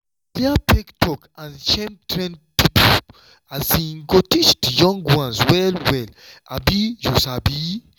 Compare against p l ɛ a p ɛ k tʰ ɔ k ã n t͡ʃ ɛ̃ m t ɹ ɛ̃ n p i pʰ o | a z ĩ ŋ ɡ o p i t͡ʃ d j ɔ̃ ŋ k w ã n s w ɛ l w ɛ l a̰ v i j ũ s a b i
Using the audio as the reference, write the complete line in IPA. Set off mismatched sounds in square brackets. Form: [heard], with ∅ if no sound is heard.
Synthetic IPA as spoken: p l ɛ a p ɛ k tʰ ɔ k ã n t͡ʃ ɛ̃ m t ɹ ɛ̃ n p i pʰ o | a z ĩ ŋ ɡ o [t] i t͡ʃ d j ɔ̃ ŋ [ɡ] w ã n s w ɛ l w ɛ l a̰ [b] i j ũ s a b i